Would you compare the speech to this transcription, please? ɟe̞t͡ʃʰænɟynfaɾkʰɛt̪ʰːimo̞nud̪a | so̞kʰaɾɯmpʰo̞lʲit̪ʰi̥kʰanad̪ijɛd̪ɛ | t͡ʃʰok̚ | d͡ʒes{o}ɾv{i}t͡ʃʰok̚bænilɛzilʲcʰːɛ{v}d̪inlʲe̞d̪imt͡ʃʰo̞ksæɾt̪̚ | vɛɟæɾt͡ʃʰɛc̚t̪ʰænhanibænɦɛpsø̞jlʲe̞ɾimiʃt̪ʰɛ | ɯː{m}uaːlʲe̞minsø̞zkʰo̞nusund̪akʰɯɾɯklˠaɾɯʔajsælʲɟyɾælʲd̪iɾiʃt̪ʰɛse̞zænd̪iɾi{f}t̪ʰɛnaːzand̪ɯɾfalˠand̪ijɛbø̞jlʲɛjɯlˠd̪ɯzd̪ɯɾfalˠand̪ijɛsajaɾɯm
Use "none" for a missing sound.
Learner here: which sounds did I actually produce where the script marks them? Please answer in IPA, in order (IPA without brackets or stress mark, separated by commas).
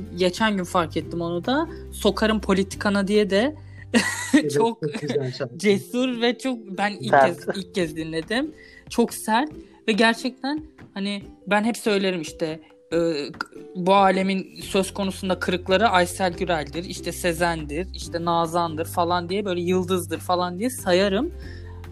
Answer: u, ɛ, z, b, ʃ